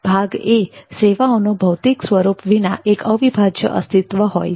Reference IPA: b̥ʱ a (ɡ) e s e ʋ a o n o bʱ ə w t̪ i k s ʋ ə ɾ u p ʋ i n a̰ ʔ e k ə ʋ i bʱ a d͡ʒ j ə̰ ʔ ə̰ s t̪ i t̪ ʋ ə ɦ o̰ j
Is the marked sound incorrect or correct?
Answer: correct